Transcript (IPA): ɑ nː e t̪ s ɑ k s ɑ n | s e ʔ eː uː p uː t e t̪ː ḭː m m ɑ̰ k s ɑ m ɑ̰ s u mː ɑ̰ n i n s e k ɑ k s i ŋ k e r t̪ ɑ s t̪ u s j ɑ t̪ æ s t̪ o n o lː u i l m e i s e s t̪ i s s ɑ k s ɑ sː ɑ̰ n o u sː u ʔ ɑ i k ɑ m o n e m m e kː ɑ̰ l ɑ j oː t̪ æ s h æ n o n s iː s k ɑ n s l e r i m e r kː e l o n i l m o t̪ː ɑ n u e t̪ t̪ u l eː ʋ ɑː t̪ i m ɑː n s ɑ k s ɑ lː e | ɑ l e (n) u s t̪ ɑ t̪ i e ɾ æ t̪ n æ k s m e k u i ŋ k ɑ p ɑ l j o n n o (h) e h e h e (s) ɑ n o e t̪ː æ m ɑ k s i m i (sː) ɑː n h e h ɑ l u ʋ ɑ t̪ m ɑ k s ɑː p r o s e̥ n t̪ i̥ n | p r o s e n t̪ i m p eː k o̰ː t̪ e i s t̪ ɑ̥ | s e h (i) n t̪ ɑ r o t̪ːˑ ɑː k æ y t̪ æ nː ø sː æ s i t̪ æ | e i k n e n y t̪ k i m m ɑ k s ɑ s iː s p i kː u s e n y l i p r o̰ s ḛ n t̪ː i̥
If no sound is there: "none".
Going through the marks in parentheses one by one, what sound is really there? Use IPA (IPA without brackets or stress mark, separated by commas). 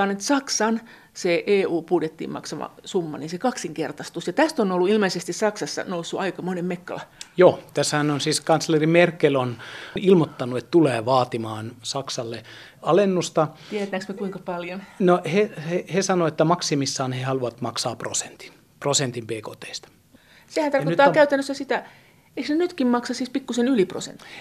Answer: nː, h, s, sː, æ